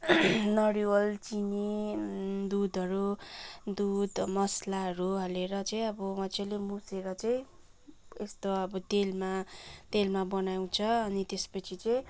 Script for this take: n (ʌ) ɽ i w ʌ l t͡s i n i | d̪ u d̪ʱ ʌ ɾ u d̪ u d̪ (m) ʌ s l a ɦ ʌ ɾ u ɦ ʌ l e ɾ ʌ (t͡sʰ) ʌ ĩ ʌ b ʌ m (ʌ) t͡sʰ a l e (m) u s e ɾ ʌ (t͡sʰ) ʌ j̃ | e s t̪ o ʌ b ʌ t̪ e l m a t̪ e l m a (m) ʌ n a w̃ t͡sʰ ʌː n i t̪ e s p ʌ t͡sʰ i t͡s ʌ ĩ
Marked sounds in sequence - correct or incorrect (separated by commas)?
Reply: correct, correct, incorrect, correct, correct, incorrect, incorrect